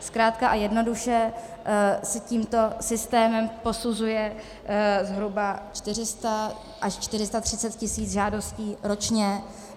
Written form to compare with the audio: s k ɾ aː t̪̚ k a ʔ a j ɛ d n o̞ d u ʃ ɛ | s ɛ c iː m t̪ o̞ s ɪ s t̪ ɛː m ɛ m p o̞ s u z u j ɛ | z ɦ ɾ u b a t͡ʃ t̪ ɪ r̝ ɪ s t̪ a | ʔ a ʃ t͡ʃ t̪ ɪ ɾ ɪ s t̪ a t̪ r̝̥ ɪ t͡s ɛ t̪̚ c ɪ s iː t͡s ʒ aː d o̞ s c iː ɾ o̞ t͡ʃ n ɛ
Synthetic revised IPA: s k ɾ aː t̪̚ k a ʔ a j ɛ d n o̞ d u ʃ ɛ | s ɛ c iː m t̪ o̞ s ɪ s t̪ ɛː m ɛ m p o̞ s u z u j ɛ | z ɦ ɾ u b a t͡ʃ t̪ ɪ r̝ ɪ s t̪ a | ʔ a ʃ t͡ʃ t̪ ɪ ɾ ɪ s t̪ a t̪ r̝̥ ɪ t͡s ɛ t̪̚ c ɪ s iː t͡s ʒ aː d o̞ s c iː ɾ o̞ t͡ʃ ɲ ɛ